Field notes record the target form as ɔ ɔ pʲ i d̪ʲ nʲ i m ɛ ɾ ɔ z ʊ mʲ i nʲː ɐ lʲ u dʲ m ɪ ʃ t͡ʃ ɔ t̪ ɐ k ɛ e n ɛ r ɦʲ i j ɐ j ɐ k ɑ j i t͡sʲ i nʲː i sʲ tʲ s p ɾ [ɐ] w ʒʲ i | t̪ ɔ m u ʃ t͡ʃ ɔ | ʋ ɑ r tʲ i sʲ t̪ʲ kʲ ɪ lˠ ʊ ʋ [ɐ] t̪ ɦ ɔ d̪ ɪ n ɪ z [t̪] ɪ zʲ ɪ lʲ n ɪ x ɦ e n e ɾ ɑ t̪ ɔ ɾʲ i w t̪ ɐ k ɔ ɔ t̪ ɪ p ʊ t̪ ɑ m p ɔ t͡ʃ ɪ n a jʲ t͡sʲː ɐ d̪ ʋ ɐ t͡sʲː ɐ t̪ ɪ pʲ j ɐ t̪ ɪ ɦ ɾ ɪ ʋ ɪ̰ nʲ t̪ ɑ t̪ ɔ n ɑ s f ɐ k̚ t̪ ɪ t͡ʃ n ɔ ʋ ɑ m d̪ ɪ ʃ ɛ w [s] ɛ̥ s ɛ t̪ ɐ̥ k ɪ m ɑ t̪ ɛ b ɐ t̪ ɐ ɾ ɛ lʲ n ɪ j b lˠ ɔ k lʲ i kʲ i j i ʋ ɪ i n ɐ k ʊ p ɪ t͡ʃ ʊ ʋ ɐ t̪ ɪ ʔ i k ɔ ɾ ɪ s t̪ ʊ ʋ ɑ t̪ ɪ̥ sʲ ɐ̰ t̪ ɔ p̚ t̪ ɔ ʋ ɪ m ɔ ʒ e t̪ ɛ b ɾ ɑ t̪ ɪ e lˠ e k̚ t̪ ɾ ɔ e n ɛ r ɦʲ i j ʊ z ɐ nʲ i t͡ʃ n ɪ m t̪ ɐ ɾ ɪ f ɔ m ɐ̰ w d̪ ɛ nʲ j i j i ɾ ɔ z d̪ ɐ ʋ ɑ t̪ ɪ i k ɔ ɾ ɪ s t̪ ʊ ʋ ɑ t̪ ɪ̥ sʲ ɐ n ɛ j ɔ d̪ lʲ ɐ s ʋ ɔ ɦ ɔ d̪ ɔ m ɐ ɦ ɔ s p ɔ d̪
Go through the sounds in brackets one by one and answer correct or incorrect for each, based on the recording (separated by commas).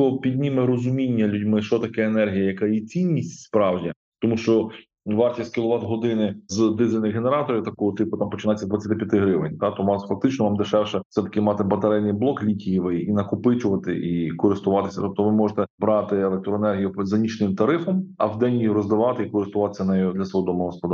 incorrect, incorrect, incorrect, incorrect